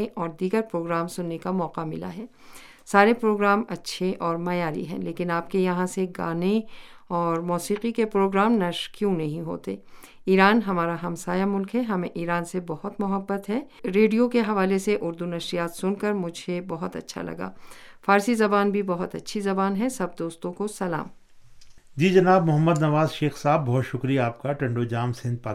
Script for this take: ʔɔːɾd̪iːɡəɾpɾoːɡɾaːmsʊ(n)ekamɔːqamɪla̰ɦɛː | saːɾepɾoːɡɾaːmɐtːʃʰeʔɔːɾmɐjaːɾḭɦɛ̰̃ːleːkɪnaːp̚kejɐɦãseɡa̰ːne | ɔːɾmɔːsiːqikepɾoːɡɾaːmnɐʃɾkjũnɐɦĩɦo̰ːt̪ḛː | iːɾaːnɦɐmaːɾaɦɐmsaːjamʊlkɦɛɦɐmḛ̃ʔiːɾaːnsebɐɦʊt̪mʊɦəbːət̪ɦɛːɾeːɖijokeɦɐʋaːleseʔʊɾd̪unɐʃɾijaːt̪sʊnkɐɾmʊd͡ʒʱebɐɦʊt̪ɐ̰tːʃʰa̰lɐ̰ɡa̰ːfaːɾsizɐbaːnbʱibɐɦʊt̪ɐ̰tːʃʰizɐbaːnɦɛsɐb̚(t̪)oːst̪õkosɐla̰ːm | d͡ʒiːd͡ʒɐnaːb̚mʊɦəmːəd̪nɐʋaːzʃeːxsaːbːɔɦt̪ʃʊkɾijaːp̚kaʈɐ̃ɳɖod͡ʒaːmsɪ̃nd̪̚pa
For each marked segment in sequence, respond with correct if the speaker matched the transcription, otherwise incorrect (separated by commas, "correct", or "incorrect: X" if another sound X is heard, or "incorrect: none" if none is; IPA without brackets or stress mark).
incorrect: nː, incorrect: d̪